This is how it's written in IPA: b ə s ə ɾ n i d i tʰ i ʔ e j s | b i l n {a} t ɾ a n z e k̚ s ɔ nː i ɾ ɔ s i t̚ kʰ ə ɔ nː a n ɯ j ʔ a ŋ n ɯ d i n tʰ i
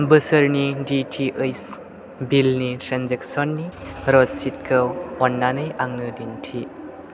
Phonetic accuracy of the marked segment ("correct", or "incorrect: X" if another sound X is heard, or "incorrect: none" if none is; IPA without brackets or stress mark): incorrect: i